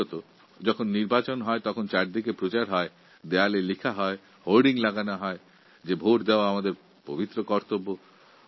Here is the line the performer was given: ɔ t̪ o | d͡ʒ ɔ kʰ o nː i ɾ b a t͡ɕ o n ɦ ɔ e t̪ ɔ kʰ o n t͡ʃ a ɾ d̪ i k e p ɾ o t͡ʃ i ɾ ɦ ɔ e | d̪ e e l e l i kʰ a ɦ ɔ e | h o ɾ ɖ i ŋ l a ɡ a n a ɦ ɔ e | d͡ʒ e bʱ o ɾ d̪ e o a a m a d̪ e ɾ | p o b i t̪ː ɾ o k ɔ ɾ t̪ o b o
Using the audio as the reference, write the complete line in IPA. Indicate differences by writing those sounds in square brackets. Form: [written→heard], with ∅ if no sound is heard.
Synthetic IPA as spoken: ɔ t̪ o | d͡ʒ ɔ kʰ o nː i ɾ b a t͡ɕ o n ɦ ɔ e t̪ ɔ kʰ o n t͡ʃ a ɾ d̪ i k e p ɾ o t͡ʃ [i→a] ɾ ɦ ɔ e | d̪ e [e→a] l e l i kʰ a ɦ ɔ e | h o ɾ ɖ i ŋ l a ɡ a n a ɦ ɔ e | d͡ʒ e bʱ o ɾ d̪ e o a a m a d̪ e ɾ | p o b i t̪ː ɾ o k ɔ ɾ t̪ o b o